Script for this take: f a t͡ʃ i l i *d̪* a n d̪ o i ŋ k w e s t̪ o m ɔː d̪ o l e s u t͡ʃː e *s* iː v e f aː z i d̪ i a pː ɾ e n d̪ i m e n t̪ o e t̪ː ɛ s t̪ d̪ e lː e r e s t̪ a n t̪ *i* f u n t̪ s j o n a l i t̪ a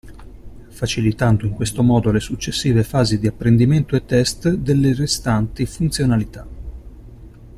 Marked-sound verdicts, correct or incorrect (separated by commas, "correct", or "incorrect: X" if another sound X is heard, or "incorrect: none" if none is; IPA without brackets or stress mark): incorrect: t̪, incorrect: sː, correct